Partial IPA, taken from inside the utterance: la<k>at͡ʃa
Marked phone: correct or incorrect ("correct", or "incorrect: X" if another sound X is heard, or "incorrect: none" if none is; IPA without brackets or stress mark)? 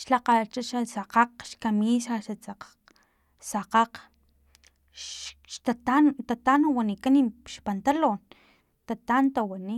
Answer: incorrect: q